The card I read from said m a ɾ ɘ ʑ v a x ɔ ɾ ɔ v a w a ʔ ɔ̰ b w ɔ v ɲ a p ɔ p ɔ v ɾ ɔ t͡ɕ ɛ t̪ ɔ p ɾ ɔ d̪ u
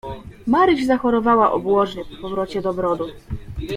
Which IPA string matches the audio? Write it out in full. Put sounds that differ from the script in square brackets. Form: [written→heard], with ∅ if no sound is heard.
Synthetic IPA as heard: m a ɾ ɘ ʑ [v→z] a x ɔ ɾ ɔ v a w a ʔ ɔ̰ b w ɔ [v→ʐ] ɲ [a→ɛ] p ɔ p ɔ v ɾ ɔ t͡ɕ ɛ [t̪→d̪] ɔ [p→b] ɾ ɔ d̪ u